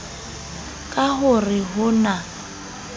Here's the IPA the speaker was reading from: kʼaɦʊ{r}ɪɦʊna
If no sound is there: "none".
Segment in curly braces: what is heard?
r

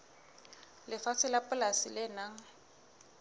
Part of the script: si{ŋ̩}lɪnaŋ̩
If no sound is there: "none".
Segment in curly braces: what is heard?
none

